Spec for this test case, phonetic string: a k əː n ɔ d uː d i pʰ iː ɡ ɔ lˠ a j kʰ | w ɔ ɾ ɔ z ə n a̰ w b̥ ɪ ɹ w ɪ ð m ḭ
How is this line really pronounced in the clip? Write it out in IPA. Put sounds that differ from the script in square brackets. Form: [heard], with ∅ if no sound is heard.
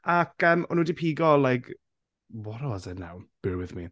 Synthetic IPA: a k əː [m] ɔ [n] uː d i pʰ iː ɡ ɔ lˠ a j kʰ | w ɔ ɾ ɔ z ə n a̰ w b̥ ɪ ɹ w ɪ ð m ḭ